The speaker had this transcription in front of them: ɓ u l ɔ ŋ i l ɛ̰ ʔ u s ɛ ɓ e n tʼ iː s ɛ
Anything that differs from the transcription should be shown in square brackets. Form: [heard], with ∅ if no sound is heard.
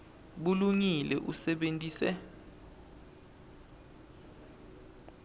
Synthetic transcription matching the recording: ɓ u l [u] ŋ i l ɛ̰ ʔ u s ɛ ɓ e n tʼ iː s ɛ